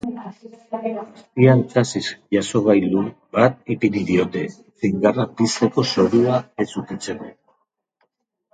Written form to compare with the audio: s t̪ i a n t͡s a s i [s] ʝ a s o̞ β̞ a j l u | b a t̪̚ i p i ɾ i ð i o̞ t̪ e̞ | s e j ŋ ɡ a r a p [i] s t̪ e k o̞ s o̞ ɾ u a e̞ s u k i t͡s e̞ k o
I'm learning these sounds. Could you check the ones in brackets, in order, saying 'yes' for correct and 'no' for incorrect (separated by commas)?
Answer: yes, yes